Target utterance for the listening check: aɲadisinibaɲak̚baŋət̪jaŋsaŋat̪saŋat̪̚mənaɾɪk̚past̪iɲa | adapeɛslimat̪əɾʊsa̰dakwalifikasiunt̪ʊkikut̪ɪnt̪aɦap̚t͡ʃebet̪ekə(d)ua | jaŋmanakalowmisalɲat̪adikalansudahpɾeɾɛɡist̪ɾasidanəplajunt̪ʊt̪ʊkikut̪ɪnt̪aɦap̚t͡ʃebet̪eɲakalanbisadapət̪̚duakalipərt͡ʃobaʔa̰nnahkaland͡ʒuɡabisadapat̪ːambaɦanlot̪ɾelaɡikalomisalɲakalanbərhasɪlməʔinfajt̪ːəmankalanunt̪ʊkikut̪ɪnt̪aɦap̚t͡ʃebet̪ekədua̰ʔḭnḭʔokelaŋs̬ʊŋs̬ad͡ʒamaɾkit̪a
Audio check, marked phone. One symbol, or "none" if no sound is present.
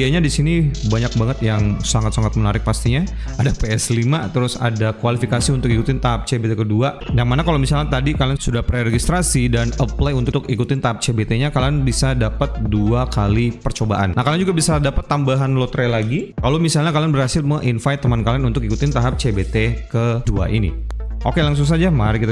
d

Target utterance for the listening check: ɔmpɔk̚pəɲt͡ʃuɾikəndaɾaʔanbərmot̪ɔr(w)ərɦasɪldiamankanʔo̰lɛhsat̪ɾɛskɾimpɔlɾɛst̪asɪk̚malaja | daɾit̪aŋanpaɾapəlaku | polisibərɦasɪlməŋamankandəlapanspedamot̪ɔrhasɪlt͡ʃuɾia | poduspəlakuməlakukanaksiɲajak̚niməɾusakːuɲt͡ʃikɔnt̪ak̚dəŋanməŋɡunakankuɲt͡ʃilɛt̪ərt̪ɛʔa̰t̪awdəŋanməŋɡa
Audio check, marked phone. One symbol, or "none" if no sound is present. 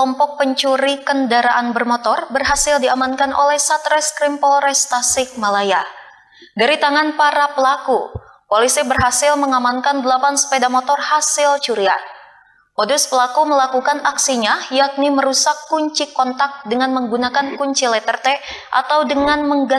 b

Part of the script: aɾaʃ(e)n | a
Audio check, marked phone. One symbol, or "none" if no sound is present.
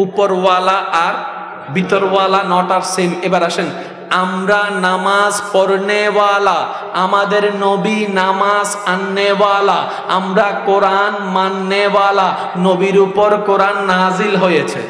e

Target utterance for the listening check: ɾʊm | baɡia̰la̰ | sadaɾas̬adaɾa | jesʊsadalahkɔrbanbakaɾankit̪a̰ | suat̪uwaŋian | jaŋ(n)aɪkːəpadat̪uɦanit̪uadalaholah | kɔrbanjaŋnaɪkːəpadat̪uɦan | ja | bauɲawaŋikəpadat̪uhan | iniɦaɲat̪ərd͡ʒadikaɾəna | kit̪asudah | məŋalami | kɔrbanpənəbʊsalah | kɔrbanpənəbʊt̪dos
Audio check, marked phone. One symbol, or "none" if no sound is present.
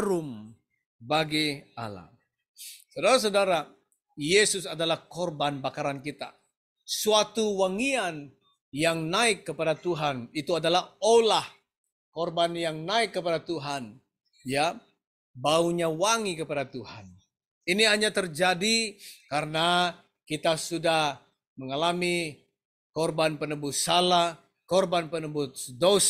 n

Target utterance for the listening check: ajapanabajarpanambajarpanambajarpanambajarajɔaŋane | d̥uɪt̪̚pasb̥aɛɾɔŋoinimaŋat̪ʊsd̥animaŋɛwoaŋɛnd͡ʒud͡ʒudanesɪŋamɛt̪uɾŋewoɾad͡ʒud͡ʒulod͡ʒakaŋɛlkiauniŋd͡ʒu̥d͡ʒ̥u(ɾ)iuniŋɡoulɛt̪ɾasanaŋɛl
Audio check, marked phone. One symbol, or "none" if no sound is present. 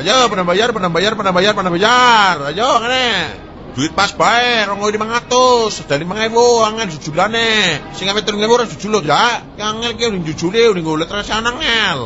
l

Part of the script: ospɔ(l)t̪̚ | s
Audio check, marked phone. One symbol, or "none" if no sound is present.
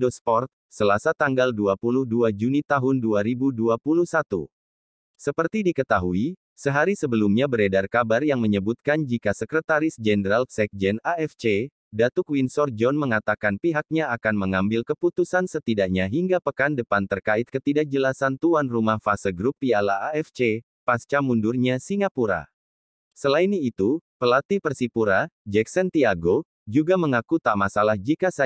r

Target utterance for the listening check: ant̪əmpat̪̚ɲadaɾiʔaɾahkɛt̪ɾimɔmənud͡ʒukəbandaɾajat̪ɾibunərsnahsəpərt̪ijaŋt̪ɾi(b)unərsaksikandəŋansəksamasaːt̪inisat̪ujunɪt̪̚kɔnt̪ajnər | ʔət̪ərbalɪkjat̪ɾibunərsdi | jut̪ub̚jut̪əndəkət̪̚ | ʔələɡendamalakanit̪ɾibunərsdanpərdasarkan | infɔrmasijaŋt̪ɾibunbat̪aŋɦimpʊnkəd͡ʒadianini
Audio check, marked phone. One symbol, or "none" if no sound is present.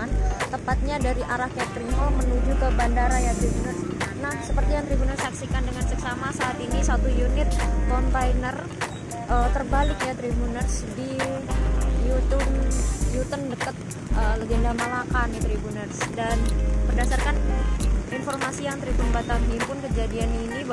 b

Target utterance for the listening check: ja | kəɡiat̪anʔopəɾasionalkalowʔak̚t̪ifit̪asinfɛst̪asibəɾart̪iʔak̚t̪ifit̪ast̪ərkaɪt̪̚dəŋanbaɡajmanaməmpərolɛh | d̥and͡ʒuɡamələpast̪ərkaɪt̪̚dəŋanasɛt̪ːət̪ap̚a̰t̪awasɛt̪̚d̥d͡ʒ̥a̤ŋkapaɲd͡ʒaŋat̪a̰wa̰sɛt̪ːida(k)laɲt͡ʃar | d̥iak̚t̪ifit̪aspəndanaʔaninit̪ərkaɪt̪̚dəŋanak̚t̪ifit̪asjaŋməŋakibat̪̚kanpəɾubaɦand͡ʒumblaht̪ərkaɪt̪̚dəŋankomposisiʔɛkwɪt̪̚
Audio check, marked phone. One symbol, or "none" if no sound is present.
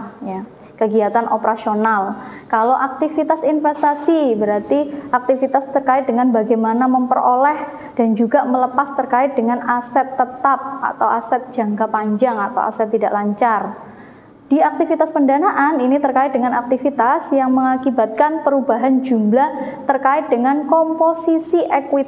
ʔ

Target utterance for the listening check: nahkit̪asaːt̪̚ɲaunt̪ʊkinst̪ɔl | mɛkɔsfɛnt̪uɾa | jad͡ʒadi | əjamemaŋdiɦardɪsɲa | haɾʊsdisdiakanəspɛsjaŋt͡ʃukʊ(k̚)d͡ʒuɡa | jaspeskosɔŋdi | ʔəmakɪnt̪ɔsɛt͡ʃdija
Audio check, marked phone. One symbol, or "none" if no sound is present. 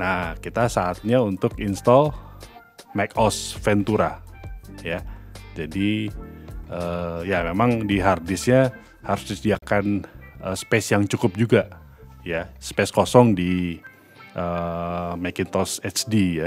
p̚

